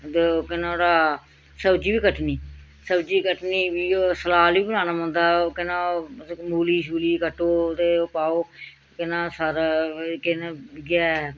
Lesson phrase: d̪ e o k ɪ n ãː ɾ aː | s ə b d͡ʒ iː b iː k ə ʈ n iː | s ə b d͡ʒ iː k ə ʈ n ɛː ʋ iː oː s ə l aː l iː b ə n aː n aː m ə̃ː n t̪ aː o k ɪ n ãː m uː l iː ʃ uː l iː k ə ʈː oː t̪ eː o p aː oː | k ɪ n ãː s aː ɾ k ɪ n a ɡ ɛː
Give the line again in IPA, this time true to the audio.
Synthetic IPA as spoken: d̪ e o k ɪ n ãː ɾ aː | s ə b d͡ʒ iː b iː k ə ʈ n iː | s ə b d͡ʒ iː k ə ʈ n iː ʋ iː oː s ə l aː l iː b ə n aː n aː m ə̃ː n d̪ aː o k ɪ n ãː m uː l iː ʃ uː l iː k ə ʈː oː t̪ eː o p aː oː | k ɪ n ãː s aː ɾ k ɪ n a ɡ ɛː